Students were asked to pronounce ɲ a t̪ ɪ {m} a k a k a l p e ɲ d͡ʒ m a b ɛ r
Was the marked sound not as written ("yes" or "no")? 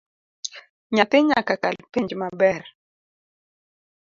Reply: yes